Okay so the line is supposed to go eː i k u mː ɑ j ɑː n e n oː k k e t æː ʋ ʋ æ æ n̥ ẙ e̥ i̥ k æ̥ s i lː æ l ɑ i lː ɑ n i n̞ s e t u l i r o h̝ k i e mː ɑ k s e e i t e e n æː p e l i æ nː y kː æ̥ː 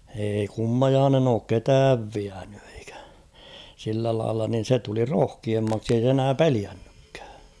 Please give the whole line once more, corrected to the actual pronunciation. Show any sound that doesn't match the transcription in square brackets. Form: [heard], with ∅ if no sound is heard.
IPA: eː i k u mː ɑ j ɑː n e n oː k k e t æː ʋ ʋ [i] æ n̥ ẙ e̥ i̥ k æ̥ s i lː æ l ɑ i lː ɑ n i n̞ s e t u l i r o h̝ k i e mː ɑ k s [i] e i [s] e e n æː p e l i æ nː y kː æ̥ː